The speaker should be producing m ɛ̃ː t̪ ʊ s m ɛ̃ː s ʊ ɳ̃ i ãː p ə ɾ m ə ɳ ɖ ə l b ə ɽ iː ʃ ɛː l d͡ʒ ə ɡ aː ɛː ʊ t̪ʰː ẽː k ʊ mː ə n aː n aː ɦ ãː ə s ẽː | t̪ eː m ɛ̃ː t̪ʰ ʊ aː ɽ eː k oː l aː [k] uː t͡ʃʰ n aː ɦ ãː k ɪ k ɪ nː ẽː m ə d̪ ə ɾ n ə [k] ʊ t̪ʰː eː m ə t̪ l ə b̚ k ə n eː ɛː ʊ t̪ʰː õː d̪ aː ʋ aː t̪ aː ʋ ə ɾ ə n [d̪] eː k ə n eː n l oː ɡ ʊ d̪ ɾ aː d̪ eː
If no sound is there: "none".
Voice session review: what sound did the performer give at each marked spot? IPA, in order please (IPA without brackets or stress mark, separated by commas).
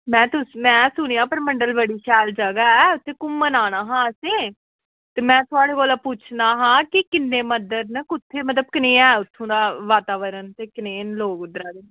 p, k, t̪